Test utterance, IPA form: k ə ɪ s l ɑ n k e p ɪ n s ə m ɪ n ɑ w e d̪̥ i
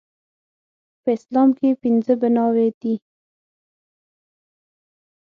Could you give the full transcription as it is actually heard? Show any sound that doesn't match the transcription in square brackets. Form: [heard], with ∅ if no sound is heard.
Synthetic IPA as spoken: [p] ə ɪ s l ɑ [m] k e p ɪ n [z] ə [b] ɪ n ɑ w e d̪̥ i